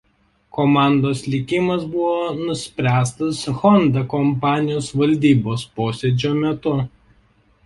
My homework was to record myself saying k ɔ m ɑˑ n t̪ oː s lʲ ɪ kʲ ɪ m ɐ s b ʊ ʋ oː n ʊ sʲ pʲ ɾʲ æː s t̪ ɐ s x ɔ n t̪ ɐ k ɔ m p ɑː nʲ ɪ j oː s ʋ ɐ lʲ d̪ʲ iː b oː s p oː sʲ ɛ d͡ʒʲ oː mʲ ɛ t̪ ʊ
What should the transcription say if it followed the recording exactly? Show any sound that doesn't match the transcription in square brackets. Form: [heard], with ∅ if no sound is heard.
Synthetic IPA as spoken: k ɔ m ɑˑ n [d̪] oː s lʲ ɪ kʲ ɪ m ɐ s b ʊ ʋ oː n ʊ sʲ pʲ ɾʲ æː s t̪ ɐ s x ɔ n [d̪] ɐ k ɔ m p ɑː nʲ ɪ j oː s ʋ ɐ lʲ d̪ʲ iː b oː s p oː sʲ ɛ d͡ʒʲ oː mʲ ɛ t̪ ʊ